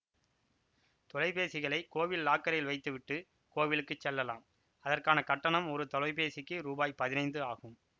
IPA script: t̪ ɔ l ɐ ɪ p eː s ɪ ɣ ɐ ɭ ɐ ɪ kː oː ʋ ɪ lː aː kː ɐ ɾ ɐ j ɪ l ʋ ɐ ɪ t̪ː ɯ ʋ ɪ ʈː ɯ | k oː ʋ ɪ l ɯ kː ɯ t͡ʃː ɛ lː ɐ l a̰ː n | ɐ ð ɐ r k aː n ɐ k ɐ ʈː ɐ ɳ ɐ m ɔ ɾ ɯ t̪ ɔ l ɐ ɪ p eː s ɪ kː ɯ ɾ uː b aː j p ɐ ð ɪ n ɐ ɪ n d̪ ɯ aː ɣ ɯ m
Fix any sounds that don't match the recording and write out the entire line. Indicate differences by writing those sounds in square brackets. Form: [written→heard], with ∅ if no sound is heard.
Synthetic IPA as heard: t̪ ɔ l ɐ ɪ p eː s ɪ ɣ ɐ ɭ ɐ ɪ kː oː ʋ ɪ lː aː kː ɐ ɾ ɐ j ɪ l ʋ ɐ ɪ t̪ː ɯ ʋ ɪ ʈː ɯ | k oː ʋ ɪ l ɯ kː ɯ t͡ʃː ɛ lː ɐ l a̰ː [n→m] | ɐ ð ɐ r k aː n ɐ k ɐ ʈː ɐ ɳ ɐ m ɔ ɾ ɯ t̪ ɔ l ɐ ɪ p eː s ɪ kː ɯ ɾ uː b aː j p ɐ ð ɪ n ɐ ɪ n d̪ ɯ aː ɣ ɯ m